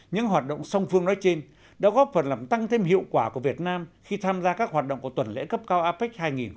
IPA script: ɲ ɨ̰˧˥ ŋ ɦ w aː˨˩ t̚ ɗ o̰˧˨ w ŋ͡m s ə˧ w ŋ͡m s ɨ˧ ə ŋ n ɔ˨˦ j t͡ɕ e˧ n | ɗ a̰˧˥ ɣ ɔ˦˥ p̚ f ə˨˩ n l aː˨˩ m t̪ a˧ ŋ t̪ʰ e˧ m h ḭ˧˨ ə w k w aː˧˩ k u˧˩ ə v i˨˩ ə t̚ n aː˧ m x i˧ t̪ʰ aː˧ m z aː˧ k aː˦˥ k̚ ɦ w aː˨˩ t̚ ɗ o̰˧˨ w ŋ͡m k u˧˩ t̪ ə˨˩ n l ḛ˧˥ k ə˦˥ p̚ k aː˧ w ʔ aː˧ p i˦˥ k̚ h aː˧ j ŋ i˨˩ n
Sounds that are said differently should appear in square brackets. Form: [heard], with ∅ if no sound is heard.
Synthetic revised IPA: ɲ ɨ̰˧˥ ŋ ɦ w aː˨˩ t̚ ɗ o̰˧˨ w ŋ͡m s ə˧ w ŋ͡m [f] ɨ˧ ə ŋ n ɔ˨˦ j t͡ɕ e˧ n | ɗ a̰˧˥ ɣ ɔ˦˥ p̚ f ə˨˩ n l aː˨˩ m t̪ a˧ ŋ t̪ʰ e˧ m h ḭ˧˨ ə w k w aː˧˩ k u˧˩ ə v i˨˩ ə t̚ n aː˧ m x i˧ t̪ʰ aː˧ m z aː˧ k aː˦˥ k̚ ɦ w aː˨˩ t̚ ɗ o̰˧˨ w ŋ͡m k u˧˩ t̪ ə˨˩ n l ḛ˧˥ k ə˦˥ p̚ k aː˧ w ʔ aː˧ p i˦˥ k̚ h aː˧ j ŋ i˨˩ n